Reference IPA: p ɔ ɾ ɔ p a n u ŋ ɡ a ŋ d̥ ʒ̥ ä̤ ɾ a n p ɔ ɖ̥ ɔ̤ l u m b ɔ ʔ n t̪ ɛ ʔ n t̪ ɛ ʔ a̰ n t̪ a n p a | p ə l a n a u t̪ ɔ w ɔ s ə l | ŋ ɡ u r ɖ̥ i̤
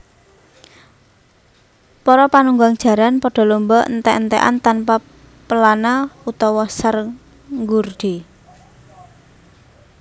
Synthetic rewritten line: p ɔ ɾ ɔ p a n u ŋ ɡ a ŋ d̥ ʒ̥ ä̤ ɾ a n p ɔ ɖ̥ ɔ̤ l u m b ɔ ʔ n t̪ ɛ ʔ n t̪ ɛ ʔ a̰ n t̪ a n p a | p ə l a n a u t̪ ɔ w ɔ s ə r | ŋ ɡ u r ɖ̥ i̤